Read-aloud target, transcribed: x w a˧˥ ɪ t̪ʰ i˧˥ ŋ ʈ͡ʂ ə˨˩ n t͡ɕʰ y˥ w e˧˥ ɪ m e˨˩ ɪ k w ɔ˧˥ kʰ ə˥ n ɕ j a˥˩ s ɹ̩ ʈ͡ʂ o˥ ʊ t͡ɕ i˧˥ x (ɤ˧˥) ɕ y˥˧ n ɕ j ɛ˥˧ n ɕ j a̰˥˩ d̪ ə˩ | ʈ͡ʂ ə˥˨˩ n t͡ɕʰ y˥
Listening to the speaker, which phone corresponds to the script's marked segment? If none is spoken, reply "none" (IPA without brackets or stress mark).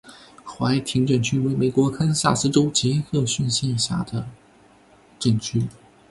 ɤ˥˧